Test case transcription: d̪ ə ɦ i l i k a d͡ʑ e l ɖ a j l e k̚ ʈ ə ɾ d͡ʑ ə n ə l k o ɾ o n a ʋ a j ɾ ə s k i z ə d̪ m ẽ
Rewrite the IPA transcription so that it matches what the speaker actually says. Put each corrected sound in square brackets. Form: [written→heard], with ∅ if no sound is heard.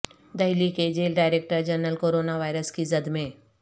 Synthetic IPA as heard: d̪ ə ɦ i l i k [a→e] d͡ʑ e l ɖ a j [l→ɾ] e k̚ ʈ ə ɾ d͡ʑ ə n ə l k o ɾ o n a ʋ a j ɾ ə s k i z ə d̪ m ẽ